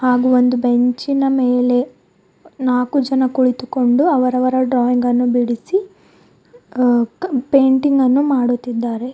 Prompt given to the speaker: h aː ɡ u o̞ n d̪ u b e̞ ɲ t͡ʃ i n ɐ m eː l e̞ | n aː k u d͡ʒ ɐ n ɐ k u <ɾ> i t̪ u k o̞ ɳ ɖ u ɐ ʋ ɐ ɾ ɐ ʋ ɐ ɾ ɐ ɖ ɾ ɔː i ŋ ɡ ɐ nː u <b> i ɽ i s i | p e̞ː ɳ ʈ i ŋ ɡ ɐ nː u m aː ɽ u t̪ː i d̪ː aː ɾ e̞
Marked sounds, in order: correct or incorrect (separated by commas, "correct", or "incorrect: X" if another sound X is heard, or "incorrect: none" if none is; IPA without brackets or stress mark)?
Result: incorrect: ɭ, correct